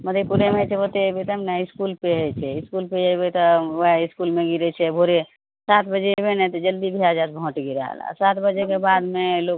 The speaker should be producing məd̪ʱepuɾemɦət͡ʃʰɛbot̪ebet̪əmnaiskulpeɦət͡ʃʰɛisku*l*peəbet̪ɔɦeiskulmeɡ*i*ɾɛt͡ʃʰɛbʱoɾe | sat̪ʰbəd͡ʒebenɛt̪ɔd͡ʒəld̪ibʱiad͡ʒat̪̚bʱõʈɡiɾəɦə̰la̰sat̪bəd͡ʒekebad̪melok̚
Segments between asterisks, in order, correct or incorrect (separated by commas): correct, correct